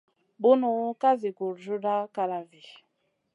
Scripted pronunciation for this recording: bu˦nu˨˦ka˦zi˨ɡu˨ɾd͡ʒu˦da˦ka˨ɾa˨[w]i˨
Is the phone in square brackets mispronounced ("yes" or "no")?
yes